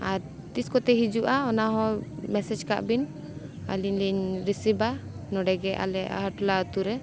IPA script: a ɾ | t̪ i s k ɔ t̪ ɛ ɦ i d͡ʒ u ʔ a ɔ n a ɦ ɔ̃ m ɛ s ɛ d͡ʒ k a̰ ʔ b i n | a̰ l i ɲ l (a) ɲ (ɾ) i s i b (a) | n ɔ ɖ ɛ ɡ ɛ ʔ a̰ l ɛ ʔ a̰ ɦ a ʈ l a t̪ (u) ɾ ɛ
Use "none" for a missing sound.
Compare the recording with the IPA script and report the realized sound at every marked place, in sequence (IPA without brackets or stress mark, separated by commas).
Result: i, ɾ, a, u